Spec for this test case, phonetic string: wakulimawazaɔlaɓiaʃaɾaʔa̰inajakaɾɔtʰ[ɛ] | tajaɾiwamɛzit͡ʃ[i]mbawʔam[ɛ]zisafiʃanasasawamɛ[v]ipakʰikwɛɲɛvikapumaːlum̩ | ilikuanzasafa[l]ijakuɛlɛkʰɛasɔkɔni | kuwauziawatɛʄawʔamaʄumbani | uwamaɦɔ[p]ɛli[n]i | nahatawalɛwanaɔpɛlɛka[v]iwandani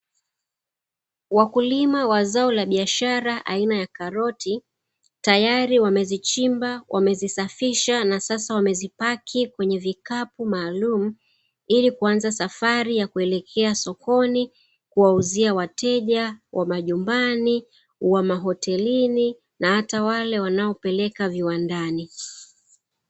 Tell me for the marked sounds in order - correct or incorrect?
incorrect, correct, correct, incorrect, incorrect, incorrect, correct, correct

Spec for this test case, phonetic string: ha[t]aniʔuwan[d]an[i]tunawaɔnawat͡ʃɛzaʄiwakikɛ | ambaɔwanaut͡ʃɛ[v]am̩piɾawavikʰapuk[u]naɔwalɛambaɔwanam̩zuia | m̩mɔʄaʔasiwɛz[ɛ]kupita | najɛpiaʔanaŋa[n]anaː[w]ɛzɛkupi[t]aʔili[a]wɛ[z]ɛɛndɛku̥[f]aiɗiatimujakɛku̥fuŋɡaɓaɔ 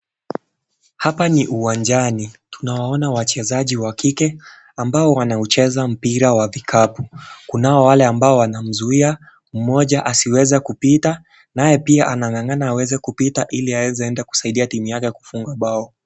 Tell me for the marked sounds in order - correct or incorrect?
incorrect, incorrect, correct, incorrect, correct, correct, incorrect, correct, correct, correct, correct, incorrect

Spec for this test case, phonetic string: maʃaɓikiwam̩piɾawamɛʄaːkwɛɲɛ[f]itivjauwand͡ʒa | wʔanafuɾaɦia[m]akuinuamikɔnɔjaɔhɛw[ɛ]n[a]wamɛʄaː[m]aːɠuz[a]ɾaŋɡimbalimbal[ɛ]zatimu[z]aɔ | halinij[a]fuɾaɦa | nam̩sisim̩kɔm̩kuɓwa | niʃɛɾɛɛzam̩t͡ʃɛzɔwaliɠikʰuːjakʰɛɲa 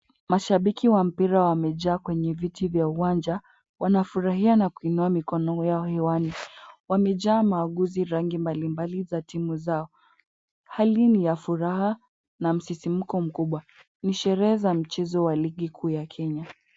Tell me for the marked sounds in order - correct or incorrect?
incorrect, incorrect, incorrect, incorrect, correct, incorrect, incorrect, correct, correct

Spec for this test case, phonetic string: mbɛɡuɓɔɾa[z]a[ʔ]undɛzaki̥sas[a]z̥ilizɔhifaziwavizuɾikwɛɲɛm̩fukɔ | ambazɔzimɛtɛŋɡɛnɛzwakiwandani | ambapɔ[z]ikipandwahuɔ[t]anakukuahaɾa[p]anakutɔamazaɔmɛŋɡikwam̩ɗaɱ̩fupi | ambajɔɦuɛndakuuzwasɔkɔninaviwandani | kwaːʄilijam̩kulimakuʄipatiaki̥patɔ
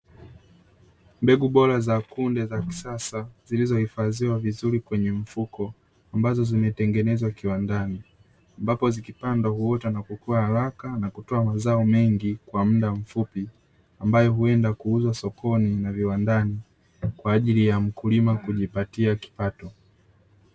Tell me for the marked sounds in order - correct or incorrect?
correct, incorrect, correct, correct, correct, incorrect

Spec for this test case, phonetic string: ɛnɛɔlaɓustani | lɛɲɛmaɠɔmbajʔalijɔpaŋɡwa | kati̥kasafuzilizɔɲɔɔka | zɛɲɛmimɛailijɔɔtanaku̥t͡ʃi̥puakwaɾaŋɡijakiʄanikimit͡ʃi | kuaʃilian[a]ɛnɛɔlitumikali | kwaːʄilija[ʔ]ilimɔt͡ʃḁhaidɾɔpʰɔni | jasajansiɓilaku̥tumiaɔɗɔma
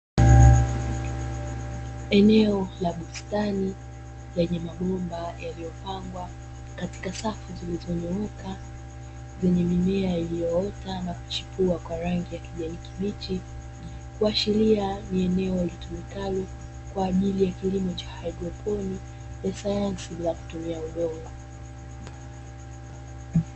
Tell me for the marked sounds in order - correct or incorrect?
incorrect, incorrect

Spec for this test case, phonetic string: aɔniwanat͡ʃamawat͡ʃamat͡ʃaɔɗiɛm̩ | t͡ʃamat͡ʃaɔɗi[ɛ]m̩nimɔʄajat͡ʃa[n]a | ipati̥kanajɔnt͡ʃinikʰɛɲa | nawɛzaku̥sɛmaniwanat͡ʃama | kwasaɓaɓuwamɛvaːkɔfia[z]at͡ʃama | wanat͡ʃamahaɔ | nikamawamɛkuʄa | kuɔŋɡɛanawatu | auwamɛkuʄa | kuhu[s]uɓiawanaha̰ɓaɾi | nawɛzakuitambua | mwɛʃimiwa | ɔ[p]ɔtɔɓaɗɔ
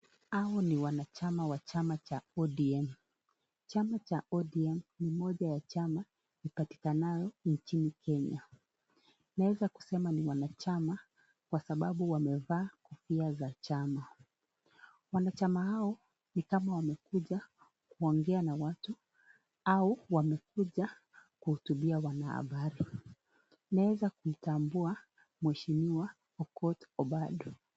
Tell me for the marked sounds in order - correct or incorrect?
correct, incorrect, correct, incorrect, incorrect

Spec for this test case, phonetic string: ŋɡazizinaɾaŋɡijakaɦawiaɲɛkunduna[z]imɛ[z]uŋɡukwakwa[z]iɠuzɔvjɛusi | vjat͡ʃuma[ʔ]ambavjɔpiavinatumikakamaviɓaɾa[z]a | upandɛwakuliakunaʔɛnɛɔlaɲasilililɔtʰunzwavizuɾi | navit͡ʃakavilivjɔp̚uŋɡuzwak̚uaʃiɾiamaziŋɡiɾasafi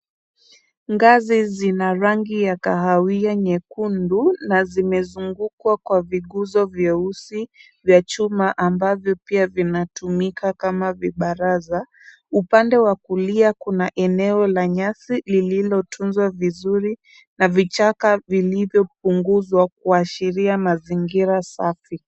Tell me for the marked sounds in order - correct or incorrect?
correct, correct, incorrect, correct, correct

